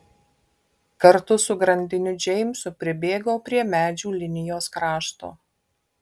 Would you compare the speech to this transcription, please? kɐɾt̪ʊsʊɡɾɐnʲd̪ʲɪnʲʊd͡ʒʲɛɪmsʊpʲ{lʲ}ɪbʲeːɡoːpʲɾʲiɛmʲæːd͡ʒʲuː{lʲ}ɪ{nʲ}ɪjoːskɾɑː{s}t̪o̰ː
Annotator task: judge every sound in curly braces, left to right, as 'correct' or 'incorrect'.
incorrect, correct, correct, incorrect

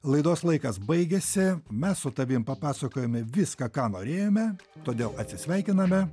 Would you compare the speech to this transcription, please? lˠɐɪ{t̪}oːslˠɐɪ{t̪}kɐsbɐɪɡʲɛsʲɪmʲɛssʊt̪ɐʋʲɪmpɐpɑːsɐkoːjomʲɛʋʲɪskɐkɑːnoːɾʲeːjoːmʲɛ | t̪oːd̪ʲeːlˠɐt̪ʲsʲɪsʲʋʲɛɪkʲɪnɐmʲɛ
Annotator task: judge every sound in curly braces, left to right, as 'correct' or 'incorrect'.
incorrect, incorrect

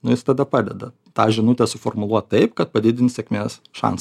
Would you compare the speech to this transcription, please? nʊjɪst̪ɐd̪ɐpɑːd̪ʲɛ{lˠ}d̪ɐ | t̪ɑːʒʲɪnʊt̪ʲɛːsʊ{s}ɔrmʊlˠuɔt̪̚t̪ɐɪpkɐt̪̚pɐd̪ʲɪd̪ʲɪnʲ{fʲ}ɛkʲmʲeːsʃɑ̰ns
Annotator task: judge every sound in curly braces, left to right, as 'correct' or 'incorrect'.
incorrect, incorrect, incorrect

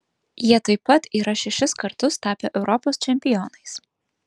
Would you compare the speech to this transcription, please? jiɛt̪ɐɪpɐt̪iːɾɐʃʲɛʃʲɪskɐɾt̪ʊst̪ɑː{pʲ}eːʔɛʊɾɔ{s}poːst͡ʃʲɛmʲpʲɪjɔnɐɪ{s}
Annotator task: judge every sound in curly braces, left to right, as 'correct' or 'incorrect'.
correct, incorrect, correct

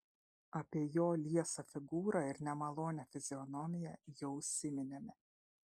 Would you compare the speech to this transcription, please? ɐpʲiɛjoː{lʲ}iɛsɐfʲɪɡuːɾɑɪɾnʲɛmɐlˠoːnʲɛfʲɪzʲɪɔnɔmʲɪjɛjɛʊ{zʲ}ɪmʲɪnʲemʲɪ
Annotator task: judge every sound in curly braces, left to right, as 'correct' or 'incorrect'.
correct, incorrect

